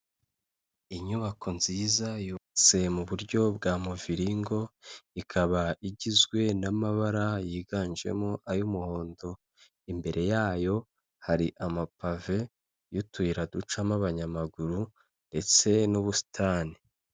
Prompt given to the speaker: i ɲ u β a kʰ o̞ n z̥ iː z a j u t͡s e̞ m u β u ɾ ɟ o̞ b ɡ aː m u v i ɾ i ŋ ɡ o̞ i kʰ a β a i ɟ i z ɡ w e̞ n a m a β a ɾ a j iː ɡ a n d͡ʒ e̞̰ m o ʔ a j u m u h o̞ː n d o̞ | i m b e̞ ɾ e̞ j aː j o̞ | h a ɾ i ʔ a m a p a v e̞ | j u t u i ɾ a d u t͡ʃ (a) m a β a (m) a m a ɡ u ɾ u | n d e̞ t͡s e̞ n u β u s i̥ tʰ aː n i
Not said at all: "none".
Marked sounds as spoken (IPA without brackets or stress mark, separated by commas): a, ɲ